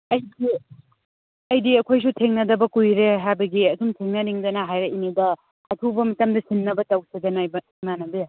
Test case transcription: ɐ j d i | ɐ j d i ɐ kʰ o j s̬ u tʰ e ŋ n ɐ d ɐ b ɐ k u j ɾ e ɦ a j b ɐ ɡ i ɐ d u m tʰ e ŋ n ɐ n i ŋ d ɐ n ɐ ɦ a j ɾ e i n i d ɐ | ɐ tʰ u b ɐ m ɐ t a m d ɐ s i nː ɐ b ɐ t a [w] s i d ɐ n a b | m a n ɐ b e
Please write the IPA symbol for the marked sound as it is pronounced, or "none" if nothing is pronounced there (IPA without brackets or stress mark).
w